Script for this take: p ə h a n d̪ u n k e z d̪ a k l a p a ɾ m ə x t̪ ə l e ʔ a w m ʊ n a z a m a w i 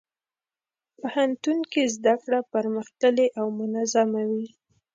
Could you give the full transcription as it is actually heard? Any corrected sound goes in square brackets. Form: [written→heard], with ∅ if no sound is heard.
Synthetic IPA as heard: p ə h a n [d̪→t̪] u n k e z d̪ a k [l→ɽ] a p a ɾ m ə x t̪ ə l e ʔ a w m ʊ n a z a m a w i